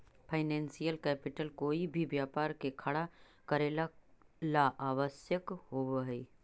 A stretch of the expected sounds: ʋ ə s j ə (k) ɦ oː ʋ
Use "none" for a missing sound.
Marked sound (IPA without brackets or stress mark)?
k